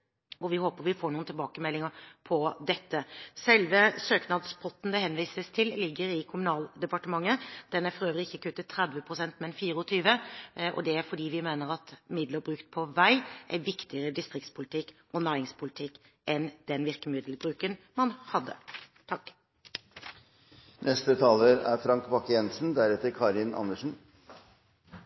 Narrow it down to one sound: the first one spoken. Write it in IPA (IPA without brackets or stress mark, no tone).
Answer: ɔ